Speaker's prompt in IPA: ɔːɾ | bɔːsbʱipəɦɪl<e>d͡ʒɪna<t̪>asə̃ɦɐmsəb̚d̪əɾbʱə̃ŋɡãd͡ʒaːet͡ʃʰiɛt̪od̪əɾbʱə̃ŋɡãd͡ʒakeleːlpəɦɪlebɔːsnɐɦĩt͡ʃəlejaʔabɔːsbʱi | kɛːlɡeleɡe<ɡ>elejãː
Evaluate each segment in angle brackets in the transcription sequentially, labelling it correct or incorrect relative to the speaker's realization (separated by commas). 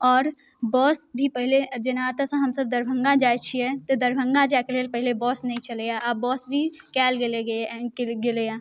correct, correct, correct